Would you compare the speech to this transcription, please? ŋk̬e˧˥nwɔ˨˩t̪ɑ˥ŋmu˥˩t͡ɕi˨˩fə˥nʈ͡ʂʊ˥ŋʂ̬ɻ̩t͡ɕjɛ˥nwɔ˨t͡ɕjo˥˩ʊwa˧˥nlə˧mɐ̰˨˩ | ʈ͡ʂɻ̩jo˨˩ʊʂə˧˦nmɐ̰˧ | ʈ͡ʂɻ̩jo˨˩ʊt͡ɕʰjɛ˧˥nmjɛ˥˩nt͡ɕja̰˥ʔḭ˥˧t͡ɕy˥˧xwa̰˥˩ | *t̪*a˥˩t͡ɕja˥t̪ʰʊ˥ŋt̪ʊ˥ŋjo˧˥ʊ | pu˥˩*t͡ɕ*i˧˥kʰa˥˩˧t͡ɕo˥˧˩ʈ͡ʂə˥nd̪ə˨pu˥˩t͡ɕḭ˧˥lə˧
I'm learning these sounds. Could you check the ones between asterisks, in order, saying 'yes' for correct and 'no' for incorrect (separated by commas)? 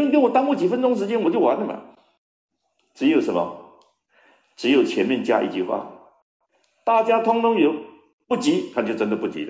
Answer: yes, yes